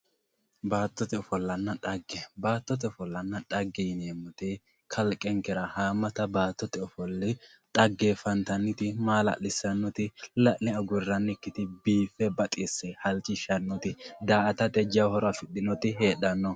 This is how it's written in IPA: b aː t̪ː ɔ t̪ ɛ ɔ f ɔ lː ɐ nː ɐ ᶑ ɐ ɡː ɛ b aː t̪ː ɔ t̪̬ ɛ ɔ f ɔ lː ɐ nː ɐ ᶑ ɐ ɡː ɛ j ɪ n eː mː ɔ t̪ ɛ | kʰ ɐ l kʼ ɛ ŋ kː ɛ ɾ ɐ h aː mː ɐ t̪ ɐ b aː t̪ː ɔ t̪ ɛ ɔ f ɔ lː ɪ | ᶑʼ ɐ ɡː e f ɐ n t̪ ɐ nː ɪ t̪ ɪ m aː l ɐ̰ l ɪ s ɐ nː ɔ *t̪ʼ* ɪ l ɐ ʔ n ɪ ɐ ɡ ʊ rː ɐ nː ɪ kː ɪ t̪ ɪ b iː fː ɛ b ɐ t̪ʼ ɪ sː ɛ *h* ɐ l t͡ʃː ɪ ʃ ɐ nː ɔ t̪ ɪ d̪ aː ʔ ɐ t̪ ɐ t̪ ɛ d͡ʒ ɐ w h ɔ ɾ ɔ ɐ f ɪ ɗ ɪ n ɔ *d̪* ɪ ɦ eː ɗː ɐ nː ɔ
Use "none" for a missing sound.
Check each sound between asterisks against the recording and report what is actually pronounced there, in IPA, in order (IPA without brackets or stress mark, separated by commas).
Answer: t̪, h, t̪